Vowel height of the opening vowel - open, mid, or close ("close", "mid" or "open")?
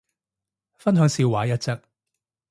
open